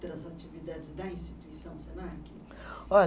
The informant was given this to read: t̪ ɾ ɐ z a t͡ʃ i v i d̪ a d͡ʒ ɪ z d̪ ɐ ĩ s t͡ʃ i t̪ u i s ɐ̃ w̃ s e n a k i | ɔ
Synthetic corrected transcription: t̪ ɾ ɐ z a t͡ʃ i v i d̪ a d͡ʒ ɪ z d̪ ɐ ĩ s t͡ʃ i t̪ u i s ɐ̃ w̃ s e n a k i | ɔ